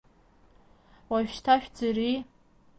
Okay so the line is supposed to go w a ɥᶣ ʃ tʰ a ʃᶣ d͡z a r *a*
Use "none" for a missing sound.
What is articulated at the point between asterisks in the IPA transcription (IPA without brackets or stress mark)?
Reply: i